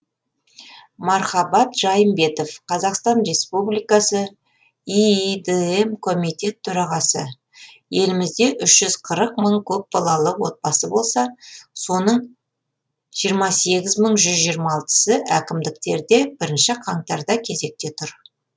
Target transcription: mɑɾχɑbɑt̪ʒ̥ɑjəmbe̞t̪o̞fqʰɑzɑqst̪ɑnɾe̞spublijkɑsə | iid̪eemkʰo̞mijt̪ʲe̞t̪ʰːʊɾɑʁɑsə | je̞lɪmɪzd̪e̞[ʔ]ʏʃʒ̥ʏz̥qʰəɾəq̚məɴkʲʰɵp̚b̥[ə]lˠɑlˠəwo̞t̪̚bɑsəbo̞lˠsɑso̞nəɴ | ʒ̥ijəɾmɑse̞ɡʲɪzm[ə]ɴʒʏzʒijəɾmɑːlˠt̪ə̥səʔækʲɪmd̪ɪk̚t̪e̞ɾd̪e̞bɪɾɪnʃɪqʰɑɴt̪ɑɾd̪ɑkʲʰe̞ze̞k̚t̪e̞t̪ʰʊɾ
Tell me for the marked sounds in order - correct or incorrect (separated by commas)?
correct, incorrect, correct